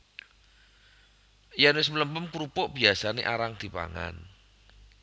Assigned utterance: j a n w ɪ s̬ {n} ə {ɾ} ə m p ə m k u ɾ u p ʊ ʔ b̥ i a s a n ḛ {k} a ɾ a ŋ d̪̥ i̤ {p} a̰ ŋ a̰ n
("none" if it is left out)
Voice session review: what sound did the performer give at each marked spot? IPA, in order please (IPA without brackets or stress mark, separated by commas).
m, l, ʔ, p